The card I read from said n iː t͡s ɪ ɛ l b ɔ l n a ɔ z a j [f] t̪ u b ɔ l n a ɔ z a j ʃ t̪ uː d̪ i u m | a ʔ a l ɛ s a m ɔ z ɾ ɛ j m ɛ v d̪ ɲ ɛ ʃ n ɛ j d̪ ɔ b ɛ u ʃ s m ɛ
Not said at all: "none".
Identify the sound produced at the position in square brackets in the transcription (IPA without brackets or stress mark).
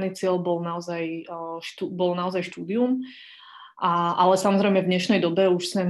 ʃ